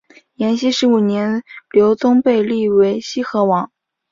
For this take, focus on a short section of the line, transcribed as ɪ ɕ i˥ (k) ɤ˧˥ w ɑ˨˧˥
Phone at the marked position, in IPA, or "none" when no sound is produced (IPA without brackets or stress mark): x